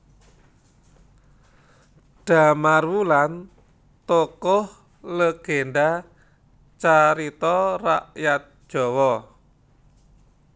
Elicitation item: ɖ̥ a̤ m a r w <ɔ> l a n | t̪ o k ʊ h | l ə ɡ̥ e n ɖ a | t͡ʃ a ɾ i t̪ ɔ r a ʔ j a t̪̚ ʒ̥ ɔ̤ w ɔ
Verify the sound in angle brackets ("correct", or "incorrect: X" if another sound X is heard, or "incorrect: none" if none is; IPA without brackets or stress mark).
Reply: incorrect: u